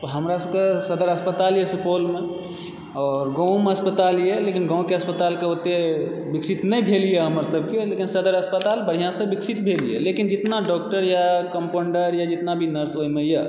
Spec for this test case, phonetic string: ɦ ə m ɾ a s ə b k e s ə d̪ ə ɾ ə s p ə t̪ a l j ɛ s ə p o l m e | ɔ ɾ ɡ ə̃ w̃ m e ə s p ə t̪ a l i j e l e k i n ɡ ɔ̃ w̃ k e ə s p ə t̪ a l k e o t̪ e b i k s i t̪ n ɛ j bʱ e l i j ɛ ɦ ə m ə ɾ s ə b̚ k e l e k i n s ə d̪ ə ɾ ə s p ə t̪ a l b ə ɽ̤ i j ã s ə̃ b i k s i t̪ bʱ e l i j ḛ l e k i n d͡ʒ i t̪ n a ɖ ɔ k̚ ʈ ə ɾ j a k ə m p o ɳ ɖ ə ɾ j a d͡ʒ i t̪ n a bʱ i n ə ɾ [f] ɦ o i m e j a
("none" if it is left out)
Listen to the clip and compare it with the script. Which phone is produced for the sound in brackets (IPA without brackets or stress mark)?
s